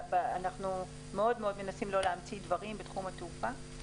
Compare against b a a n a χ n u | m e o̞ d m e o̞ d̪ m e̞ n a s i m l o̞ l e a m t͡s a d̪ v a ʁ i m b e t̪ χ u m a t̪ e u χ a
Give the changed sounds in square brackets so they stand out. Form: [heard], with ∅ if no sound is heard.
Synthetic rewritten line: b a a n a χ n u | m e o̞ d m e o̞ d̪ m e̞ n a s i m l o̞ l e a m t͡s [i] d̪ v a ʁ i m b e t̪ χ u m a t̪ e u [f] a